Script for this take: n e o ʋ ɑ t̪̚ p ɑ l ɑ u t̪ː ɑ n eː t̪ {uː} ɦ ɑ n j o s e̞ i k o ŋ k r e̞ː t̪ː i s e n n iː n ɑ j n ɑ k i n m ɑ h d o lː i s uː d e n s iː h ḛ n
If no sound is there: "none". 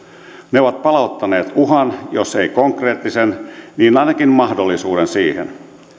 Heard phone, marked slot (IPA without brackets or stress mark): u